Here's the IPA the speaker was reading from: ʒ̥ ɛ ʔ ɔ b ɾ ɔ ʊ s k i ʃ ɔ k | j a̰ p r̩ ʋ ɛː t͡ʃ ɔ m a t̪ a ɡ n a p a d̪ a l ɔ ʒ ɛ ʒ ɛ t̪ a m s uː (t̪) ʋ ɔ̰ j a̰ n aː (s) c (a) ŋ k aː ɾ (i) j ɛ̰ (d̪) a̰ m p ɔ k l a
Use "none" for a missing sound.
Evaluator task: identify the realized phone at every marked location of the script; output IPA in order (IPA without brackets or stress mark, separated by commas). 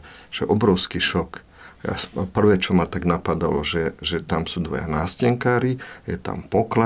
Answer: d̪, s, ɛ, i, t̪